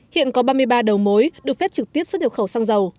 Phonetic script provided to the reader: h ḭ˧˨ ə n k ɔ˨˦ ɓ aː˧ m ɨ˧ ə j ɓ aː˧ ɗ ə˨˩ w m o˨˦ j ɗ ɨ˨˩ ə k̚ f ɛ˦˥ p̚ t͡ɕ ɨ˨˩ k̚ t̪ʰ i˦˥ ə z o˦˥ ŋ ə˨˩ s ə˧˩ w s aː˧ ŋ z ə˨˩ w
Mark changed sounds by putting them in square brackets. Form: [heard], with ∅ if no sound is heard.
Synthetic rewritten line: h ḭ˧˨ ə n k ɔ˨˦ ɓ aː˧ m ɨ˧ ə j ɓ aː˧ ɗ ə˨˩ w m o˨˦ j ɗ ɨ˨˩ ə k̚ f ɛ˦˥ p̚ t͡ɕ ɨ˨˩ k̚ [t̪] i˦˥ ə [s] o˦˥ [ɲ] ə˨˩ [x] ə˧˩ w s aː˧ ŋ z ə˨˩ w